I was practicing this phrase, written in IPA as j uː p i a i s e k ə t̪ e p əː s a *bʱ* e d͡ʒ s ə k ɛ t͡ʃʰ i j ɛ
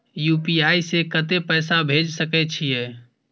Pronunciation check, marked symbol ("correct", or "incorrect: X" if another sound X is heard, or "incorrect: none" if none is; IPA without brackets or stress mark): correct